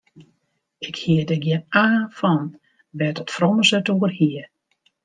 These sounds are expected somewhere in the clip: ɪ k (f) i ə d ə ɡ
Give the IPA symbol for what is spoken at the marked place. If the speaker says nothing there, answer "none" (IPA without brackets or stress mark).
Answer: h